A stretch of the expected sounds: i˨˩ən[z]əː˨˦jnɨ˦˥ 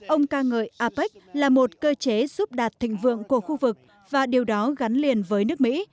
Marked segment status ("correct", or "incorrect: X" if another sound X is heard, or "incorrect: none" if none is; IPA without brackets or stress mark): incorrect: v